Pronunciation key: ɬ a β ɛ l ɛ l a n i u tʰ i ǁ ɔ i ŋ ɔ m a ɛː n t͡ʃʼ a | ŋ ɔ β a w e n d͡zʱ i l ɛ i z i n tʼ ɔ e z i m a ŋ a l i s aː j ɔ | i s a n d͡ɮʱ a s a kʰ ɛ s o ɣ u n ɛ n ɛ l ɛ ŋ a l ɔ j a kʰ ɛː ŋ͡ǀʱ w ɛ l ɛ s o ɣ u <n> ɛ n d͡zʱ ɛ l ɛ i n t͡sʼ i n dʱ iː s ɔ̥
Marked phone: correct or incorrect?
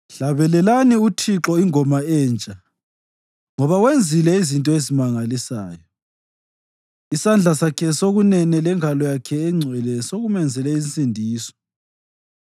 incorrect: m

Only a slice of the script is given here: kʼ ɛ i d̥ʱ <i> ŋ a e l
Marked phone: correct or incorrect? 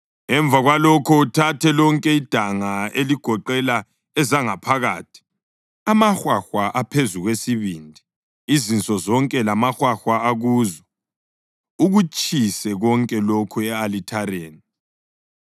incorrect: a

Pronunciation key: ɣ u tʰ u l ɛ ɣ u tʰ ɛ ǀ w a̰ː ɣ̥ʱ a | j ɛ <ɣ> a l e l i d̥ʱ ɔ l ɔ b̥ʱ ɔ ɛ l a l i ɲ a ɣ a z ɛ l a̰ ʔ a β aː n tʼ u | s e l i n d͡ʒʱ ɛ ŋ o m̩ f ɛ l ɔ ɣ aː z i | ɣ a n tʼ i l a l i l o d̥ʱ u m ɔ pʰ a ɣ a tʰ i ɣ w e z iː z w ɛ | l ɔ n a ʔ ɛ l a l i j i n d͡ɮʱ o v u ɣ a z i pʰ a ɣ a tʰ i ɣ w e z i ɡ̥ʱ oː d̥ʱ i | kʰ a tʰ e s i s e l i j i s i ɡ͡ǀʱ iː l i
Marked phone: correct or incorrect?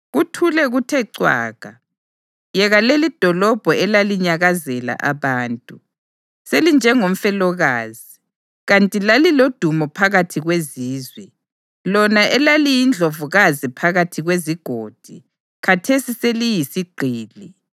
correct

